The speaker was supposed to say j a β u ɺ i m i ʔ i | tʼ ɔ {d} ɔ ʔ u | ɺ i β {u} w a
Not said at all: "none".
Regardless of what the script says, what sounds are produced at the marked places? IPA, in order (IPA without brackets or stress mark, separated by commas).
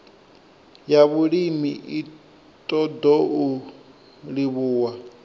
d, uː